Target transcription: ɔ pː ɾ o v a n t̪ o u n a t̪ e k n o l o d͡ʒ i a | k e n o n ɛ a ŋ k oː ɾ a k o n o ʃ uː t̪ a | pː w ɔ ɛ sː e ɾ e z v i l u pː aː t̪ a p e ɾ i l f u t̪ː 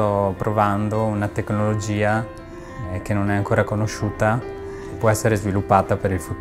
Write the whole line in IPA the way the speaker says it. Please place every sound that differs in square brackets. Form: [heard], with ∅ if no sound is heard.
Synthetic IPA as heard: ɔ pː ɾ o v a n [d̪] o u n a t̪ e k n o l o d͡ʒ [iː] a | k e n o n ɛ a ŋ k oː ɾ a k o n o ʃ uː t̪ a | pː w ɔ ɛ sː e ɾ e z v i l u pː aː t̪ a p e ɾ i l f u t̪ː